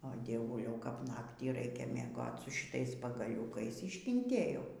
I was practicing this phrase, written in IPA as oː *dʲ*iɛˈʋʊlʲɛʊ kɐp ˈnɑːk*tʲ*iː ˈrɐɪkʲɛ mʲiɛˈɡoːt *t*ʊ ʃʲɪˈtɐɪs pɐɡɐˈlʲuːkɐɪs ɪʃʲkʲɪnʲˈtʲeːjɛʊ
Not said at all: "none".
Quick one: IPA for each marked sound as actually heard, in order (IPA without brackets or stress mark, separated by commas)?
dʲ, tʲ, s